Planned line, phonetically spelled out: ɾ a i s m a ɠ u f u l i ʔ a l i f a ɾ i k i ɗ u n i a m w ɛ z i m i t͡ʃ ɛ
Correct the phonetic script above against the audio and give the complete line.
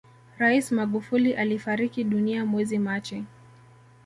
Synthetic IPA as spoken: ɾ a i s m a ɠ u f u l i ʔ a l i f a ɾ i k i ɗ u n i a m w ɛ z i m a t͡ʃ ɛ